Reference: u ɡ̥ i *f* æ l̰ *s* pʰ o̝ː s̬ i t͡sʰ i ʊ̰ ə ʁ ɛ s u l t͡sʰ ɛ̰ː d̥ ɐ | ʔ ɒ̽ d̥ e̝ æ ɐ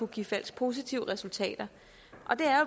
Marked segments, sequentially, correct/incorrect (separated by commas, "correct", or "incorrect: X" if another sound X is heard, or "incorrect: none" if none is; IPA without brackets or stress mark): correct, correct